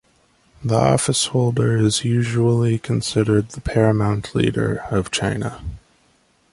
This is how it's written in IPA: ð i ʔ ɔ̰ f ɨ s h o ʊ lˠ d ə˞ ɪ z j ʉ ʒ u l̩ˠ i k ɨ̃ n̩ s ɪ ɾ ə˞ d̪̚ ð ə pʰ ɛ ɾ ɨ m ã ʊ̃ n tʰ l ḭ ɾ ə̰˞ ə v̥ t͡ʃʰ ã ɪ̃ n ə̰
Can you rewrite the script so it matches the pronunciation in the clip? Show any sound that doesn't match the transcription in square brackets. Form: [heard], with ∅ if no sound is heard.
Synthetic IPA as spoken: ð i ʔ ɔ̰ f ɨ s h o ʊ lˠ d ə˞ ɪ z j ʉ ʒ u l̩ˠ i [kʰ] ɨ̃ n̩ s ɪ ɾ ə˞ d̪̚ ð ə pʰ ɛ [ɹ] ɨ m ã ʊ̃ n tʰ l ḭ ɾ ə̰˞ [ʌ] v̥ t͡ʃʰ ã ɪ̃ n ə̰